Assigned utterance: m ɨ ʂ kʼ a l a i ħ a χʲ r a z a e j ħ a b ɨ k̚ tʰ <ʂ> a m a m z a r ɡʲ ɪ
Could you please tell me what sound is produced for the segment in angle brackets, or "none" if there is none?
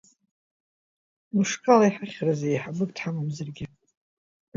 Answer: ħ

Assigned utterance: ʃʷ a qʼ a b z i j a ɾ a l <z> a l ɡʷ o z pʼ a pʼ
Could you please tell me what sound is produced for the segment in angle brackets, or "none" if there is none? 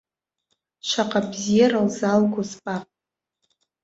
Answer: z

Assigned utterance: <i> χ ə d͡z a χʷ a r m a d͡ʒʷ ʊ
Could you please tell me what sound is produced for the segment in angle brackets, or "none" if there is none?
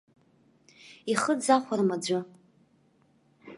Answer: i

